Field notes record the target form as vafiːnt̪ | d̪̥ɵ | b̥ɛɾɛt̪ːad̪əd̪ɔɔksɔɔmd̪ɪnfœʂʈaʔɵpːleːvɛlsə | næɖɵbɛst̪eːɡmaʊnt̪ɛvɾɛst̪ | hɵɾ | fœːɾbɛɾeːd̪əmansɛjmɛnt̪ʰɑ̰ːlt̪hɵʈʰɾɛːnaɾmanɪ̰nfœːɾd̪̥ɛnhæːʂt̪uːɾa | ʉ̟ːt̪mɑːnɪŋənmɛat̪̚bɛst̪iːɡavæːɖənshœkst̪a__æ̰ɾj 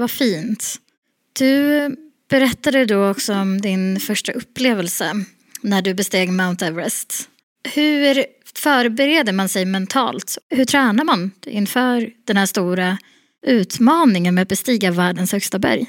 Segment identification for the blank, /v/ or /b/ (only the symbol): b